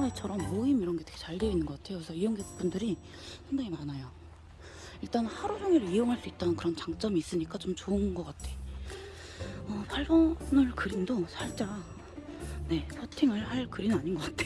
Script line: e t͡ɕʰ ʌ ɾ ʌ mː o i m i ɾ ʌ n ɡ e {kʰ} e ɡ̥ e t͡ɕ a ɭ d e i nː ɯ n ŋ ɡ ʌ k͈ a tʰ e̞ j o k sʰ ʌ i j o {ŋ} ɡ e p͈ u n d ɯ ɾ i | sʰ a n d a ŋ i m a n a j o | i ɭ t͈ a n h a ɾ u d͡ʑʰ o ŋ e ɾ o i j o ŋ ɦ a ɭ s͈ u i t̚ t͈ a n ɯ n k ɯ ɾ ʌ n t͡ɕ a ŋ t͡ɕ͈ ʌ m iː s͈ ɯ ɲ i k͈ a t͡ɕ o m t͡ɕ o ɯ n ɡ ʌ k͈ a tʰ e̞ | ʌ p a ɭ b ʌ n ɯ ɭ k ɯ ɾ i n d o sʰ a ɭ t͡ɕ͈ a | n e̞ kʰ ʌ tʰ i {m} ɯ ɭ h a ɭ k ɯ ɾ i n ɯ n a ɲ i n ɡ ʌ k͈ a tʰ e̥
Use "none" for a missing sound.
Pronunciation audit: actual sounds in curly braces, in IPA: tʰ, ŋ, ŋ

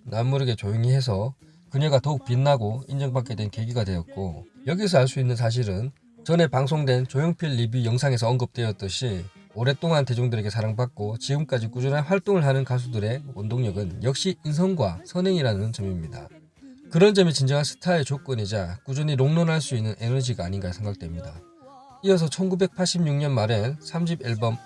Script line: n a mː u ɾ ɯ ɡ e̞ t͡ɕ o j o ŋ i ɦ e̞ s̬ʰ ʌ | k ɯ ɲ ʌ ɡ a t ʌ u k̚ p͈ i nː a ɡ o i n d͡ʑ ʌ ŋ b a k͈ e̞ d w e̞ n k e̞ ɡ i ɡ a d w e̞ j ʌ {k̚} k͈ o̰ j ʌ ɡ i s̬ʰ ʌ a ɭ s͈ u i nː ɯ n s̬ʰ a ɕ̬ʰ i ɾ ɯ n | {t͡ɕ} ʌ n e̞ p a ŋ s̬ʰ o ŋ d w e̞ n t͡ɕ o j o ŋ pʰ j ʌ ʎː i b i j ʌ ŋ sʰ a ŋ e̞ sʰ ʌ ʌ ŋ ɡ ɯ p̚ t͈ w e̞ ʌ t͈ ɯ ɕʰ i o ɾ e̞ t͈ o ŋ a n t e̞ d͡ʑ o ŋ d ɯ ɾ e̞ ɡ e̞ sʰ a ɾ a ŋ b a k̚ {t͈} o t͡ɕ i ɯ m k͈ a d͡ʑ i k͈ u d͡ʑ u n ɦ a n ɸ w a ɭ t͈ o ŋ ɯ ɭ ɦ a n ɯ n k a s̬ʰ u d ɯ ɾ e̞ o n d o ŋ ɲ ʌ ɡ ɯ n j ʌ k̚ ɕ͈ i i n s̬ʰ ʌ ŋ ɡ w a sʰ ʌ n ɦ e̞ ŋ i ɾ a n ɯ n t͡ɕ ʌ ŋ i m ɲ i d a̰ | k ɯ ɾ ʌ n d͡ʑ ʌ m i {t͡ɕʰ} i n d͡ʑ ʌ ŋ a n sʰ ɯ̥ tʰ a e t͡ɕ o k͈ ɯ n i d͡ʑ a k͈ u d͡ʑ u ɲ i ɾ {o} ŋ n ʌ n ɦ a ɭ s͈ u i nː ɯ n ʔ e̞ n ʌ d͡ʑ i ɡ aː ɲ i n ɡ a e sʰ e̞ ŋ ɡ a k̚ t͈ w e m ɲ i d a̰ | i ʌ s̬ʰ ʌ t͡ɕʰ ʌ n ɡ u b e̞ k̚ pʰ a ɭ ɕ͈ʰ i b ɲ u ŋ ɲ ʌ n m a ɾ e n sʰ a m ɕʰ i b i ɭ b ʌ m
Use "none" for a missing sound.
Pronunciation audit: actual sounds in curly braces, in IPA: t̚, t͡ɕ, k͈, t͡ɕ, o

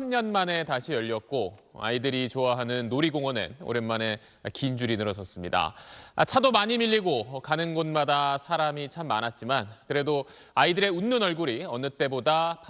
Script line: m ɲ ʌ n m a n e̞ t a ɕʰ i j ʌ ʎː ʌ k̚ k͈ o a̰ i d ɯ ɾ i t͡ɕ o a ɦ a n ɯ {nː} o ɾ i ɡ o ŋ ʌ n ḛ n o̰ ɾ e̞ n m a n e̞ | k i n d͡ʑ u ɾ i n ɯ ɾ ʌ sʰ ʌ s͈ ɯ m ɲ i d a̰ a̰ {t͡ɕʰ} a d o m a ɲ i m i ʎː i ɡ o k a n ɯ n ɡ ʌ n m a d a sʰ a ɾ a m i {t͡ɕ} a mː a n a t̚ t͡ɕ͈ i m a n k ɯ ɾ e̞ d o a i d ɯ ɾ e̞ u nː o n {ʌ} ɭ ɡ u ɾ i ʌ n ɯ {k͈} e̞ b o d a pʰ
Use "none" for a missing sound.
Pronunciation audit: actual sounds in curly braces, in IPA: nː, t͡ɕʰ, t͡ɕʰ, ʌ, t͈

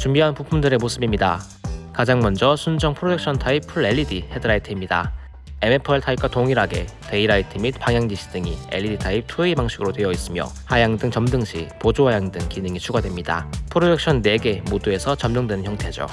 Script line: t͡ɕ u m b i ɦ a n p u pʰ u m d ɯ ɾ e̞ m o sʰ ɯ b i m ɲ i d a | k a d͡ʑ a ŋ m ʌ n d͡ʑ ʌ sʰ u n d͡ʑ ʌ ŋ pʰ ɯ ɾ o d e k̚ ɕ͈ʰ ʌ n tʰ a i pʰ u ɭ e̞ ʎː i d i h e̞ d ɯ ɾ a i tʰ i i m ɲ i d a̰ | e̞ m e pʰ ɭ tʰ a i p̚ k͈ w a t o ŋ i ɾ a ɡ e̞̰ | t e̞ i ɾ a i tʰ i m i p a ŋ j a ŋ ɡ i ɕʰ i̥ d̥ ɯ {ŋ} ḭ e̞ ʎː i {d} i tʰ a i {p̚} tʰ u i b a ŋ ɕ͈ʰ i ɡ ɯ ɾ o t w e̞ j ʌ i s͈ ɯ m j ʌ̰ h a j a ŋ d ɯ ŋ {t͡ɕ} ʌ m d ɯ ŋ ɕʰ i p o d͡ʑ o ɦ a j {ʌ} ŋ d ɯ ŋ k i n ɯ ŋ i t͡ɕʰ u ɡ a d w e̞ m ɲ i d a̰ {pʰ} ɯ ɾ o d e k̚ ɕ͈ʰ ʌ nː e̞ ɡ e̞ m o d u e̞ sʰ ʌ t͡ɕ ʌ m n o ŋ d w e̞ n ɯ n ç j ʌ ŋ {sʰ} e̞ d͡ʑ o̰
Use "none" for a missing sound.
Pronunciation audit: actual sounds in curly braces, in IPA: ŋ, d, p̚, t͡ɕ, a, pʰ, tʰ

